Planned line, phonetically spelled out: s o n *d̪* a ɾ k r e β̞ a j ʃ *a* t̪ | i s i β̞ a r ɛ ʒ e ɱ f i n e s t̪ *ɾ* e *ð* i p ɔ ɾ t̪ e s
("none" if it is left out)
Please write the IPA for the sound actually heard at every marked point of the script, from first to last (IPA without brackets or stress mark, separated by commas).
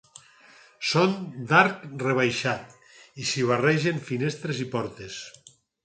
d̪, a, ɾ, z